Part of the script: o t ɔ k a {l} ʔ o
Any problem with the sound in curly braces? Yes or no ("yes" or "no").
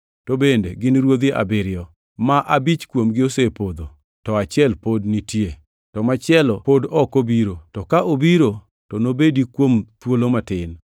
yes